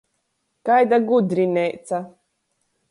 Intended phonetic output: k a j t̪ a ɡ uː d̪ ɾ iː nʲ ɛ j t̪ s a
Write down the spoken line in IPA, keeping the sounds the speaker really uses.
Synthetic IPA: k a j d̪ a ɡ u d̪ ɾ i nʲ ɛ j t̪ s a